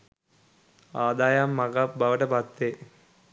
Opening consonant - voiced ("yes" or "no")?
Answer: yes